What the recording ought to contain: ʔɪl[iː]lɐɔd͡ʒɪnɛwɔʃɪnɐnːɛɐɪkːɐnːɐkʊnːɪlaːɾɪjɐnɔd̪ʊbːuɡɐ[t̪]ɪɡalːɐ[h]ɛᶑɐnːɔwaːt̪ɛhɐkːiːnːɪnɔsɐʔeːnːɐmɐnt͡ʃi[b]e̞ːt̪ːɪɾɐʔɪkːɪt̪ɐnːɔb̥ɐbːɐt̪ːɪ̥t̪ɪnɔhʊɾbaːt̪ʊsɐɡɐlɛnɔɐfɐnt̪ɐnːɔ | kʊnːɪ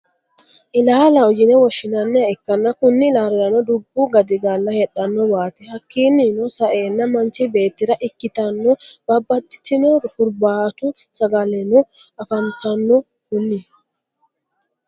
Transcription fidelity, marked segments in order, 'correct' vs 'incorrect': incorrect: aː, incorrect: d̪, correct, correct

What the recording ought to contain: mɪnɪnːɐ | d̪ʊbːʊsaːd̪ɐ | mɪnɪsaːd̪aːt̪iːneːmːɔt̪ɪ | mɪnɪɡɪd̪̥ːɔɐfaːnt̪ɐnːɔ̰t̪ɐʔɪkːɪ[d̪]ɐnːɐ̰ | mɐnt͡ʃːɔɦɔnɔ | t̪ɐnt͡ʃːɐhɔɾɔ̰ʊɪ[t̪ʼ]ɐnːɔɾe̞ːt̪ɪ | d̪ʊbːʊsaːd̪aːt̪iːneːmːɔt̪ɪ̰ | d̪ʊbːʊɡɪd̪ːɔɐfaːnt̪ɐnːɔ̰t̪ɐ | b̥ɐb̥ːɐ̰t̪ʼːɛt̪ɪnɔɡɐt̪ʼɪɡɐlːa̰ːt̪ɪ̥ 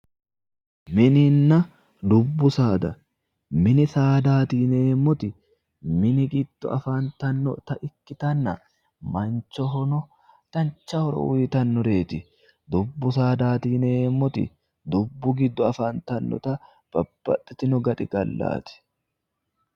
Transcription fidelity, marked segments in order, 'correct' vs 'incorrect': incorrect: t̪, incorrect: t̪

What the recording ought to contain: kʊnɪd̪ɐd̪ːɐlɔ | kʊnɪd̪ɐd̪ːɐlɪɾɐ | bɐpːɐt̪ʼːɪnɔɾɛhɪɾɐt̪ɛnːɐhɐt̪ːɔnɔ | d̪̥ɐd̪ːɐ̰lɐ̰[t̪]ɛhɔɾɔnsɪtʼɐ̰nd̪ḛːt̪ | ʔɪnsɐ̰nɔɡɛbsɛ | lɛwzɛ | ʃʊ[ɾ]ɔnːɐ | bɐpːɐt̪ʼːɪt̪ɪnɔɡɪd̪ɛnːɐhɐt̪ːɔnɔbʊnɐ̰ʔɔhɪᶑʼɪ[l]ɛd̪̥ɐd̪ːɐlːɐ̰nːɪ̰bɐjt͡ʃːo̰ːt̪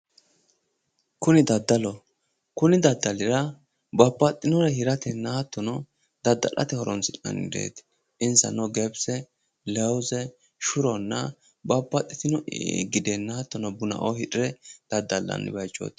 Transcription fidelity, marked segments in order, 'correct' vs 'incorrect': correct, correct, incorrect: ɾ

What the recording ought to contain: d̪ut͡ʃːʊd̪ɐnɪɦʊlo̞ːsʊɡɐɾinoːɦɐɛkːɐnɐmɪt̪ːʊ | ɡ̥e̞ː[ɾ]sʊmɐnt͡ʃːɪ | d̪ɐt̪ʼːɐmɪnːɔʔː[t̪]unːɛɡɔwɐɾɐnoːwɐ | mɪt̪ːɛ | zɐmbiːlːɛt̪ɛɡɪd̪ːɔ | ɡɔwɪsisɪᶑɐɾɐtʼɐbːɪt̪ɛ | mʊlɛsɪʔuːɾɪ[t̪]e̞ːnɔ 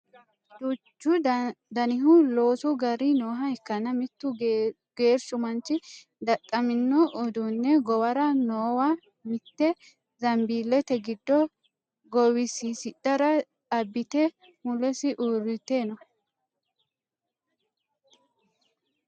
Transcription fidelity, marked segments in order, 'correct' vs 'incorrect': correct, incorrect: d̪, correct

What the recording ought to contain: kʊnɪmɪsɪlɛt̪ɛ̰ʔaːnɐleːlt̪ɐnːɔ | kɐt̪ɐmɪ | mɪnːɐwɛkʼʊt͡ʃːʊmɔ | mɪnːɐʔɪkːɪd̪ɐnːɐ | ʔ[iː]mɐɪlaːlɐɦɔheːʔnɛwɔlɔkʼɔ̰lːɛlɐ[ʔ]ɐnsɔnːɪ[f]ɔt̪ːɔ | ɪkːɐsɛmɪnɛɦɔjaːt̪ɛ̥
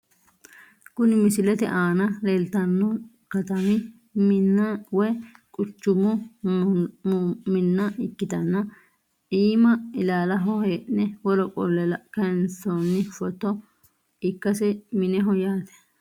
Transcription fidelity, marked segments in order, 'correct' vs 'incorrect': correct, incorrect: k, correct

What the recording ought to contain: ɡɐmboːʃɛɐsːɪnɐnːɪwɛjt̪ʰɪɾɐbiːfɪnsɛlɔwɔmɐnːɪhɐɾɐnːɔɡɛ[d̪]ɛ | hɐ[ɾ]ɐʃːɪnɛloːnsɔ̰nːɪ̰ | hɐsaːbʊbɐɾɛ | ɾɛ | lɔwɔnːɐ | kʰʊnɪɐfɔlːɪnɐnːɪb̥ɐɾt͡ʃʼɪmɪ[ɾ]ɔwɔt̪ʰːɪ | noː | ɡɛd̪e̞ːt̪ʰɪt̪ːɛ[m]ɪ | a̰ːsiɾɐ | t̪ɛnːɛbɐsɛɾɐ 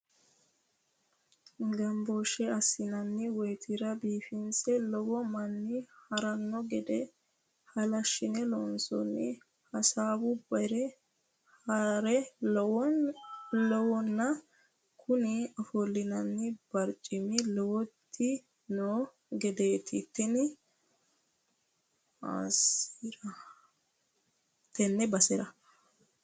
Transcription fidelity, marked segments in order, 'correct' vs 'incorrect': correct, incorrect: l, incorrect: l, incorrect: n

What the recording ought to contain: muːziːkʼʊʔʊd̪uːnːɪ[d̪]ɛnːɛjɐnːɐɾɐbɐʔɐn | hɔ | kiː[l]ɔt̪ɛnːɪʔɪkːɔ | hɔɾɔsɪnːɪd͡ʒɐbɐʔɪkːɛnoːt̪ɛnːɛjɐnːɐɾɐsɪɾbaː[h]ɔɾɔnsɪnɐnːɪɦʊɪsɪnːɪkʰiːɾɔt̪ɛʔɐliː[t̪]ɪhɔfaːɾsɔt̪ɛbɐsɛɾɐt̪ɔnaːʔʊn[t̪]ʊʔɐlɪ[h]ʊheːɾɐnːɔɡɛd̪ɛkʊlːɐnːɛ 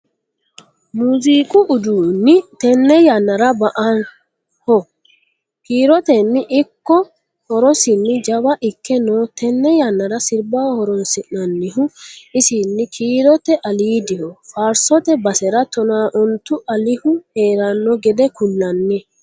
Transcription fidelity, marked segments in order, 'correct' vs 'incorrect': incorrect: t̪, incorrect: ɾ, correct, incorrect: d̪, correct, correct

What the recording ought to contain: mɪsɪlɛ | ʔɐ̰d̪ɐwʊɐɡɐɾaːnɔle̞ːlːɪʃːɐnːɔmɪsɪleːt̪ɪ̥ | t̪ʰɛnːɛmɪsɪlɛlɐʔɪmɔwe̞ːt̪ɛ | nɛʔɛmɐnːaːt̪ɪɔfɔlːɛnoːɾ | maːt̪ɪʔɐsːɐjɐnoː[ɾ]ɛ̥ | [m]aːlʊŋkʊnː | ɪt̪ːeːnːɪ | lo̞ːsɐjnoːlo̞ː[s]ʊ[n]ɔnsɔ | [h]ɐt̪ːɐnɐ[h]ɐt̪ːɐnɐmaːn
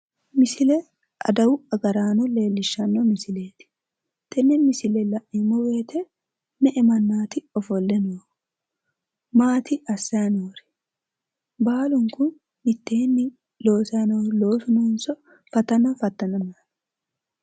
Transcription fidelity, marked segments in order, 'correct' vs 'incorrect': correct, incorrect: b, correct, correct, incorrect: f, incorrect: f

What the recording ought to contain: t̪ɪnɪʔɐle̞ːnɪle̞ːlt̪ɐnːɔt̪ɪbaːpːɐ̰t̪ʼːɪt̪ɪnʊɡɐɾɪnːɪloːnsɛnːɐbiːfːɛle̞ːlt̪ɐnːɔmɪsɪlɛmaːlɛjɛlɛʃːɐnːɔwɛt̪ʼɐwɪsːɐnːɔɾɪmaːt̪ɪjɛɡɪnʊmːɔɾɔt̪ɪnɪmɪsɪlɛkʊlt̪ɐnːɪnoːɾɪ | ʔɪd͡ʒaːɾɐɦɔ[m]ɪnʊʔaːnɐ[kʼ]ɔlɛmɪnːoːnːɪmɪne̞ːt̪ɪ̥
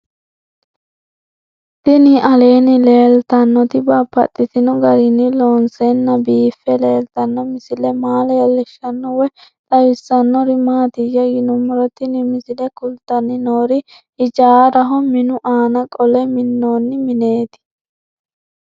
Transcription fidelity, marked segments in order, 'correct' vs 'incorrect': correct, correct

